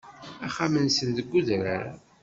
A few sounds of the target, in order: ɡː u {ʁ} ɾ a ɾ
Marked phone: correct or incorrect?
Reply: incorrect: ð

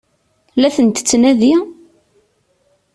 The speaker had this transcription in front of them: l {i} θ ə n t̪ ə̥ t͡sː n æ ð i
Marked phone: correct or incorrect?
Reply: incorrect: æ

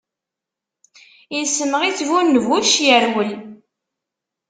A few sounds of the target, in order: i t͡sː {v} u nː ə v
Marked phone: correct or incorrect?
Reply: correct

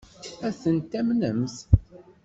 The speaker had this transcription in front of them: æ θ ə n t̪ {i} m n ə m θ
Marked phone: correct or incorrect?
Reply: incorrect: æ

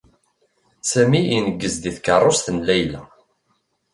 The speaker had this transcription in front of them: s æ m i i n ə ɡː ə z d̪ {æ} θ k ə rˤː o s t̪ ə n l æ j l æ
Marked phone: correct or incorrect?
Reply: incorrect: i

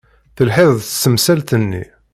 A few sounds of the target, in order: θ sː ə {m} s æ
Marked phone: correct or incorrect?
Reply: correct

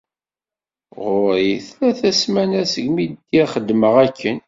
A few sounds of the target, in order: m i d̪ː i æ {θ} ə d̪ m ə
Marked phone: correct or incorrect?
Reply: incorrect: χ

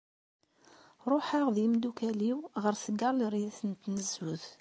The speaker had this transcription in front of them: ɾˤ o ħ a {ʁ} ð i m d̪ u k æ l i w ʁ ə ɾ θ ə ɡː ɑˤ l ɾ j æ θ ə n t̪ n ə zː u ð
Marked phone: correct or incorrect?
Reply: correct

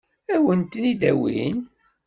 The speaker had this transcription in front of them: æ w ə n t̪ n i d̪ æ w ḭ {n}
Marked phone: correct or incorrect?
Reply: correct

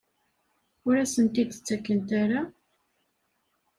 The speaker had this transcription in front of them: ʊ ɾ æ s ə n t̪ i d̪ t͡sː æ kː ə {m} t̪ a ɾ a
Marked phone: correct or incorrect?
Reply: incorrect: n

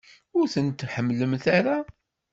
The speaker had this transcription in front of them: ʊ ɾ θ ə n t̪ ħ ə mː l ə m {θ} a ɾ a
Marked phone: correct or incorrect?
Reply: correct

